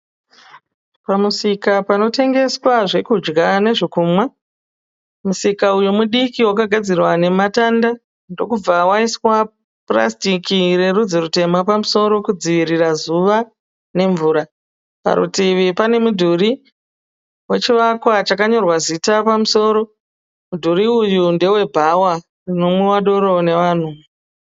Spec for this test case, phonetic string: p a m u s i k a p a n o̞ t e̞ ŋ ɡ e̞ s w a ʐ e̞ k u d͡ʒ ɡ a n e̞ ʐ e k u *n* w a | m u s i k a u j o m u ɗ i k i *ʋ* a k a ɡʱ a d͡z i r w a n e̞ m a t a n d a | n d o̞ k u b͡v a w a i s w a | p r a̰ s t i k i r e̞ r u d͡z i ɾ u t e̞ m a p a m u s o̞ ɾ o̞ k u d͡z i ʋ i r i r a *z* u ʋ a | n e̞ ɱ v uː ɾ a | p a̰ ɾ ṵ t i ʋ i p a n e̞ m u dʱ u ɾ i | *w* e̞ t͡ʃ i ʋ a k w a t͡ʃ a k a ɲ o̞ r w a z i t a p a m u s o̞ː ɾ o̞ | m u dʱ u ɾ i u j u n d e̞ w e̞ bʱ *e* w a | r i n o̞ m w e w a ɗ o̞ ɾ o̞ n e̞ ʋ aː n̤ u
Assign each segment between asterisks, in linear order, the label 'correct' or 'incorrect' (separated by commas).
incorrect, incorrect, correct, correct, incorrect